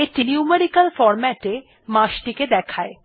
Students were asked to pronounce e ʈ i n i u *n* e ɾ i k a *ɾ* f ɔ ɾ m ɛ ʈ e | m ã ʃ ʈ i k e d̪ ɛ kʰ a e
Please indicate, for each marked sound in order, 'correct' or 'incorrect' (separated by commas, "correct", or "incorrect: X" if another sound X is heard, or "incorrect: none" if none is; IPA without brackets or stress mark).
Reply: incorrect: m, incorrect: l